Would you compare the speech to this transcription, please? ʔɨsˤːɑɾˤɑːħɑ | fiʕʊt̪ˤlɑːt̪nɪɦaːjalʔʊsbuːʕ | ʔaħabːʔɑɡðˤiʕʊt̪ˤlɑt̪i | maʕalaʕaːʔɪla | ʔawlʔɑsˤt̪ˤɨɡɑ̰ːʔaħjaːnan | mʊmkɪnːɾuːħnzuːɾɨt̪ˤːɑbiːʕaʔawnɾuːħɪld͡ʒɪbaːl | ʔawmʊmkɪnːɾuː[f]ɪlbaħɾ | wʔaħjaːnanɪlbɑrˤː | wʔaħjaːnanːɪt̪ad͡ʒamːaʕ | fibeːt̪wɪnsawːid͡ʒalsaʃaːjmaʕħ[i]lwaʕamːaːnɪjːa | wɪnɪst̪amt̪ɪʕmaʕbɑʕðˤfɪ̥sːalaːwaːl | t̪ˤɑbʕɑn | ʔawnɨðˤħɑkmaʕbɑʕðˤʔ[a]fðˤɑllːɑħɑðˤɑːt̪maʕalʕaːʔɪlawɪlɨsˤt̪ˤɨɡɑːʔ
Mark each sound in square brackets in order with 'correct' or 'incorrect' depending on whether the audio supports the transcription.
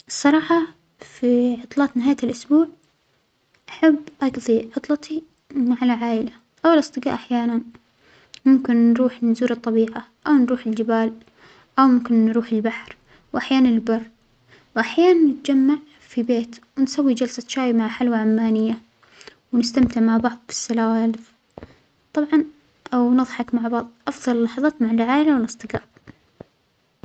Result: incorrect: ħ, incorrect: a, incorrect: ɑ

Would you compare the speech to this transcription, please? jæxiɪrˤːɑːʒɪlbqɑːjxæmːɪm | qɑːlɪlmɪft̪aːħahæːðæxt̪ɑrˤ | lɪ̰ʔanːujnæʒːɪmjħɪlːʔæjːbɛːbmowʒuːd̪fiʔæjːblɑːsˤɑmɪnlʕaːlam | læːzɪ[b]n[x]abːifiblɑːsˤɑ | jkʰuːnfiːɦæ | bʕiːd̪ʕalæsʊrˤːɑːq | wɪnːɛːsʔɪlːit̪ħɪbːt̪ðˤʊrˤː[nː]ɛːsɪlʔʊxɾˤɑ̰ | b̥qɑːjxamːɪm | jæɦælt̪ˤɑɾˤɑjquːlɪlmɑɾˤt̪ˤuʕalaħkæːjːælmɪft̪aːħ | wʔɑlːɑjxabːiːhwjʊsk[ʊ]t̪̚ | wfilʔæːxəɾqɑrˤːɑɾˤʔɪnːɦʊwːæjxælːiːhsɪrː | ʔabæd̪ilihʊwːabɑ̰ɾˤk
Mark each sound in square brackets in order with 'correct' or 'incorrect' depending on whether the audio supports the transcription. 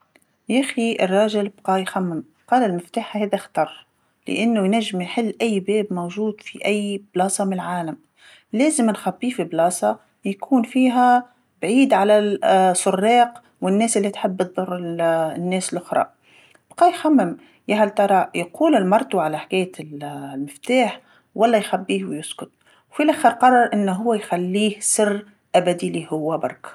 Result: incorrect: m, correct, correct, correct

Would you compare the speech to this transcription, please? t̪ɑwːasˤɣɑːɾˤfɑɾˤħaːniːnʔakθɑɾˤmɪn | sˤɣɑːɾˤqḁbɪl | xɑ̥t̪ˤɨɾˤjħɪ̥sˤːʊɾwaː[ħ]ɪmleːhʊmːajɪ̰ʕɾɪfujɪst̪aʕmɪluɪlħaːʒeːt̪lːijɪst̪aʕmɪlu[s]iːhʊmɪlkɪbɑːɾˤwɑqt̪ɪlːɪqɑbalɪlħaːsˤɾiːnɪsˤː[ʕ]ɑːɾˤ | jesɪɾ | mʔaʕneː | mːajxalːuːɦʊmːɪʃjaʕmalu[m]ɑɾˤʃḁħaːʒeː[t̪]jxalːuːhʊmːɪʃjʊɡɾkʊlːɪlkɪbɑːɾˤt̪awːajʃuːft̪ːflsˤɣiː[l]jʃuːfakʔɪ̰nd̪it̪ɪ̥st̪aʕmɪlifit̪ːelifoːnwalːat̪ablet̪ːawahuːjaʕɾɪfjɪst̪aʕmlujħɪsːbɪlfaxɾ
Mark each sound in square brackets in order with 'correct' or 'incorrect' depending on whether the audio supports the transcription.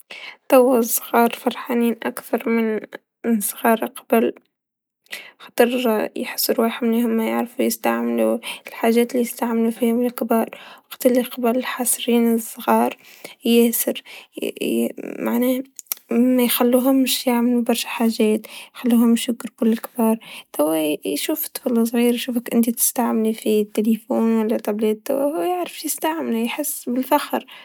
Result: correct, incorrect: f, incorrect: ɣ, incorrect: b, correct, incorrect: ɾ

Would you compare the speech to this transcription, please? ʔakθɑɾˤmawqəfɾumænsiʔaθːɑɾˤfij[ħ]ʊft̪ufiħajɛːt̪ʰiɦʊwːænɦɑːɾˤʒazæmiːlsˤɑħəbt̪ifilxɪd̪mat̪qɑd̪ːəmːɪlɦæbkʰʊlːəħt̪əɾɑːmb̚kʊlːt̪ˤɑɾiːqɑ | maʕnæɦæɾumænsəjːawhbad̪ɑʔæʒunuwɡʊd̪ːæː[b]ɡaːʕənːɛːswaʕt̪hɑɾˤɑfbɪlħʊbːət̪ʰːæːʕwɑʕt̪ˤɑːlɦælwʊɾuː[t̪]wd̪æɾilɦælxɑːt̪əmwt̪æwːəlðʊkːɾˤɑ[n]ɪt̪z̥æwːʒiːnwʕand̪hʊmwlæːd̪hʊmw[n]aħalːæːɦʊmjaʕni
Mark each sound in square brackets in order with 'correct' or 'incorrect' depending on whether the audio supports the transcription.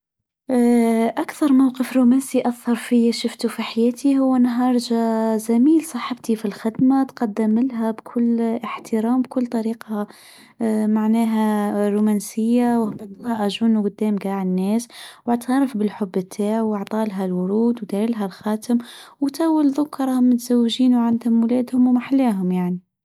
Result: incorrect: ʃ, incorrect: m, incorrect: d̪, incorrect: m, incorrect: m

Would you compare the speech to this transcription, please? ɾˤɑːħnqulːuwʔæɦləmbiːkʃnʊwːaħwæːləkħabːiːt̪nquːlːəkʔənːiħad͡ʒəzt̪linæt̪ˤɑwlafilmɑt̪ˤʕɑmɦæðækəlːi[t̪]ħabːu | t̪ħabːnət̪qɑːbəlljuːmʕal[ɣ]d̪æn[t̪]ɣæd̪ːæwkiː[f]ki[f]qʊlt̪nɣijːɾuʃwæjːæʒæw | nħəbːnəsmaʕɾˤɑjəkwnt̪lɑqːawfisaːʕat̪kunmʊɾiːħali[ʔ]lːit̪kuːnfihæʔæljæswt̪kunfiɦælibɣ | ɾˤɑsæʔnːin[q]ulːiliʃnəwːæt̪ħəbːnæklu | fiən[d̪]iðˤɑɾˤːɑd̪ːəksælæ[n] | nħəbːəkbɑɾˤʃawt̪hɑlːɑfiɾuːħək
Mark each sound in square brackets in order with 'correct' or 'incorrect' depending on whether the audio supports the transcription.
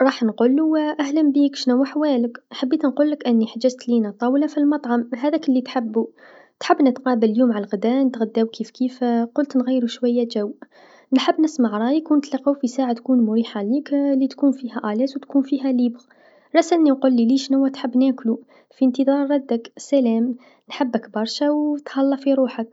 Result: correct, correct, correct, correct, correct, incorrect: k, correct, incorrect: t̪, incorrect: m

